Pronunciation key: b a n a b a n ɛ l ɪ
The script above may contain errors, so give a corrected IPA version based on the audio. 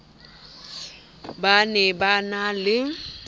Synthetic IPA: b a n ɛ b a n a l ɪ